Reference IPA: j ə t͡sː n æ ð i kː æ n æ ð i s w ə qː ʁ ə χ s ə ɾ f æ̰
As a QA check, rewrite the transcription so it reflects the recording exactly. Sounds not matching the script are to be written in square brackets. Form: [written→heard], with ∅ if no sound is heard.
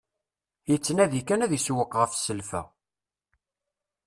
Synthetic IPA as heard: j ə t͡sː n æ ð i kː æ n æ ð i s w ə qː ʁ ə [χ→f] s ə [ɾ→l] f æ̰